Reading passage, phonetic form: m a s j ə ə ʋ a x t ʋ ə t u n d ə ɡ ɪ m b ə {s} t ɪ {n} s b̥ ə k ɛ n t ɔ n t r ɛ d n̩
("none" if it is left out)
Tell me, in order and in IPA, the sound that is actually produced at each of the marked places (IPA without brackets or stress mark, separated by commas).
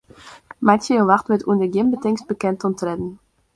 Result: none, ŋ